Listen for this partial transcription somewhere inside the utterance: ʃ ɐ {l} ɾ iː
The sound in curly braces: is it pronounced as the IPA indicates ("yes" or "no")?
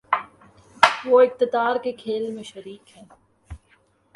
no